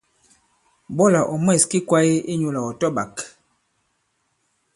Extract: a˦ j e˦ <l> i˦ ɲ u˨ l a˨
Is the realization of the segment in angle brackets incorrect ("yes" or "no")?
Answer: yes